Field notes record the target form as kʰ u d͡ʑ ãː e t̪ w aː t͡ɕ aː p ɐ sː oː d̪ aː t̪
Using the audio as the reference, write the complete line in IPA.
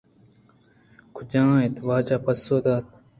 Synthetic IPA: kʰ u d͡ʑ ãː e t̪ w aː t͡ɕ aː p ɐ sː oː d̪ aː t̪